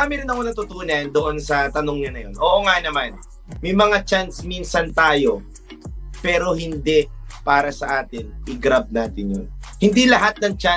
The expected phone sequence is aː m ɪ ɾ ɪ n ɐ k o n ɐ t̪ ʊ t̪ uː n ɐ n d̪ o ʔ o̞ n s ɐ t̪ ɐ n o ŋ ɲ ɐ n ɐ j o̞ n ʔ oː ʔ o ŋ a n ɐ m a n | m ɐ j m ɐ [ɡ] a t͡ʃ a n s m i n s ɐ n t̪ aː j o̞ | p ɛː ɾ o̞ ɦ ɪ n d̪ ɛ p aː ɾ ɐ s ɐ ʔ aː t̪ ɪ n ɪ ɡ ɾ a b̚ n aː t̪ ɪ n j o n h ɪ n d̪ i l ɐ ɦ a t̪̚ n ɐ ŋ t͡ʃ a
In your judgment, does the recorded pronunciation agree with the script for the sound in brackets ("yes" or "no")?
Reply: no